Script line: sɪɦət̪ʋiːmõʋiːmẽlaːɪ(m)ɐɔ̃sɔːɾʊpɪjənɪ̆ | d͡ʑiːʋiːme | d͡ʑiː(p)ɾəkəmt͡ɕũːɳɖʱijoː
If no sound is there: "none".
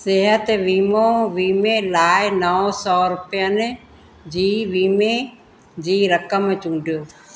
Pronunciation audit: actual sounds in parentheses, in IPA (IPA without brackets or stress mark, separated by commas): n, none